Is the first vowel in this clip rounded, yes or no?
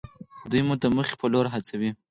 yes